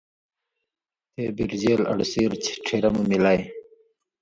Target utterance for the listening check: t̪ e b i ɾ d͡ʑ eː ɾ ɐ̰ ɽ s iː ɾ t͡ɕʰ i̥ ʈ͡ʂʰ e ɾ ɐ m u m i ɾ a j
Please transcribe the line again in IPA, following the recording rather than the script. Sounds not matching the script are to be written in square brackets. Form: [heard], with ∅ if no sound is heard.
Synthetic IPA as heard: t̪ e b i ɾ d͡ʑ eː [l] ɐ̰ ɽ s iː ɾ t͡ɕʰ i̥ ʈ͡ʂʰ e ɾ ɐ m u m i [l] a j